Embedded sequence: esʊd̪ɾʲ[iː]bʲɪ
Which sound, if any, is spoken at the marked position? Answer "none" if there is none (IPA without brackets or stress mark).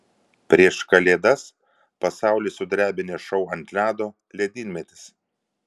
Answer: æː